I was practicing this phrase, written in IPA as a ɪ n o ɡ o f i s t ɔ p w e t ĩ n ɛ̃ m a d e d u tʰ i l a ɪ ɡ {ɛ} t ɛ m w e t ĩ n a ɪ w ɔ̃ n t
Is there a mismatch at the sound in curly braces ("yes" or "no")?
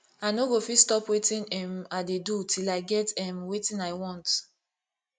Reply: no